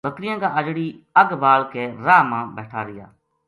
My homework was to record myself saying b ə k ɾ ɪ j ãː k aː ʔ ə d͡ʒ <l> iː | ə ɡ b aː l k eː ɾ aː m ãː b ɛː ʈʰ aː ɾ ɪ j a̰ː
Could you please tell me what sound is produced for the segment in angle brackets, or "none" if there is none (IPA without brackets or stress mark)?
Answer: ɽ